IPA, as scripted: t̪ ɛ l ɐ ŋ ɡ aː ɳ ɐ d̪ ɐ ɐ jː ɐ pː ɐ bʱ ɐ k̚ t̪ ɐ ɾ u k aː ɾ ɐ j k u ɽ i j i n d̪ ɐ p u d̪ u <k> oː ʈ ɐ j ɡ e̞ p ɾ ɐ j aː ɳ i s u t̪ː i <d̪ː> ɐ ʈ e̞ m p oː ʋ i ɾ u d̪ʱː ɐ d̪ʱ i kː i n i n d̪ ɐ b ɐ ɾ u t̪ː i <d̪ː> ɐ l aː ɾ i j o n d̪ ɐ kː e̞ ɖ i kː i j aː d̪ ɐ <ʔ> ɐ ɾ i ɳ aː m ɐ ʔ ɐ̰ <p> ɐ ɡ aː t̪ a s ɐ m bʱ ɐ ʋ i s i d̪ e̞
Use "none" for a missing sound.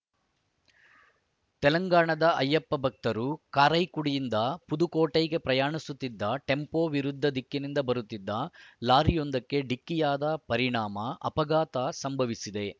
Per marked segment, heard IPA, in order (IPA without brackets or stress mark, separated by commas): k, d̪ː, d̪ː, p, p